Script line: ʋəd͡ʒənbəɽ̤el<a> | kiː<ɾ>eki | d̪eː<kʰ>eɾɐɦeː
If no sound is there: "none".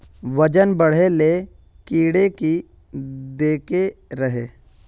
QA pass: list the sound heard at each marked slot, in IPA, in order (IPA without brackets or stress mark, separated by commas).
e, ɽ, k